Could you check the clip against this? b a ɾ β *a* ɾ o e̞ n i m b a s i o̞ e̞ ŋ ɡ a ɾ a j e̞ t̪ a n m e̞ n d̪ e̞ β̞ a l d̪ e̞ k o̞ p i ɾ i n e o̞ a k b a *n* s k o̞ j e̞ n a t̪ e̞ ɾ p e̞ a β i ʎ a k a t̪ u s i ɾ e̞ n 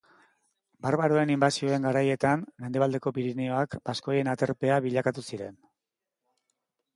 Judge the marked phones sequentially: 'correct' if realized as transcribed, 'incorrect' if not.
correct, incorrect

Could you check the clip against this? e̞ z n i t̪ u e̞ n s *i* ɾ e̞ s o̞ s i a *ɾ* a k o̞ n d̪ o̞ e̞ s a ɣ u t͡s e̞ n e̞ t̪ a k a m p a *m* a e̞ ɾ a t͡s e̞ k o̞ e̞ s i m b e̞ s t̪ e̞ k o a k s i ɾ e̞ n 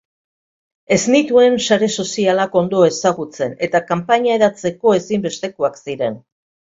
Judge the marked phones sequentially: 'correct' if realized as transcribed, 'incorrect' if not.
incorrect, incorrect, incorrect

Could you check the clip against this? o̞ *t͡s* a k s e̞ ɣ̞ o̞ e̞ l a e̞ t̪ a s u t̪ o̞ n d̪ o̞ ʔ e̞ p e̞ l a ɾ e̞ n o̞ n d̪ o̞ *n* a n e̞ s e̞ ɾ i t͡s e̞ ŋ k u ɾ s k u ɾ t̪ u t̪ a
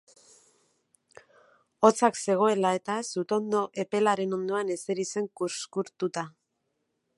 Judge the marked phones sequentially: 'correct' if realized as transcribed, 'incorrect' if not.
correct, incorrect

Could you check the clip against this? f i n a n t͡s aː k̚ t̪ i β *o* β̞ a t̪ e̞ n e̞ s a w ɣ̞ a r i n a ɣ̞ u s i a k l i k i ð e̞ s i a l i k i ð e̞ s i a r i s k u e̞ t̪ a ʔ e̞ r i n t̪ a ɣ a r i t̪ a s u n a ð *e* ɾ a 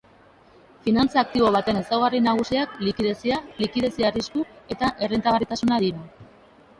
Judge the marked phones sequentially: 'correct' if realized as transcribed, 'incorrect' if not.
correct, incorrect

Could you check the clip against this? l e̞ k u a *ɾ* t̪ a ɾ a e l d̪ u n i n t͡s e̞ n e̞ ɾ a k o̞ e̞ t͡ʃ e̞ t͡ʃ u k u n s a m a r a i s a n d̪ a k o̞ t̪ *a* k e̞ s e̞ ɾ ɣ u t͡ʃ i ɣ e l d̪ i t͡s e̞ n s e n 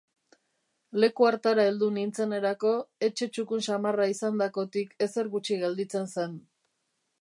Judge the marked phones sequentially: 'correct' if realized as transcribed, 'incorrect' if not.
correct, incorrect

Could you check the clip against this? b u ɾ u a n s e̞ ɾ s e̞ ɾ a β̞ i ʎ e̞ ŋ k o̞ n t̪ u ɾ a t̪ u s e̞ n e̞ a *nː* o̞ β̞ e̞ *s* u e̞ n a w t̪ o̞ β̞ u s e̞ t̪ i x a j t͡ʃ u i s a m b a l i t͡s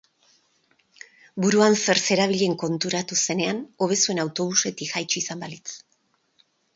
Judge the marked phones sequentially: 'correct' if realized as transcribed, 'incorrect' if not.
incorrect, correct

